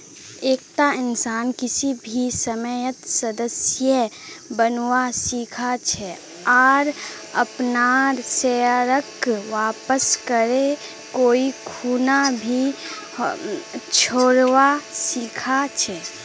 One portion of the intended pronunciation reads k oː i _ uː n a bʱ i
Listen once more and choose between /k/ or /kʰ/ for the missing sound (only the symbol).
kʰ